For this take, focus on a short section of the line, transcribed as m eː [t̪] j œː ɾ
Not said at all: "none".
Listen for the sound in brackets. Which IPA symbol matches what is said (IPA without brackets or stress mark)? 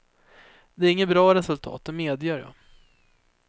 d̪